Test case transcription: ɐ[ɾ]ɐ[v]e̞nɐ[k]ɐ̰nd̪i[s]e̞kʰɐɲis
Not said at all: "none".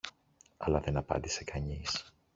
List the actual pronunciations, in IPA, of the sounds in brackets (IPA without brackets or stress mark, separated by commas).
l, ð, p, s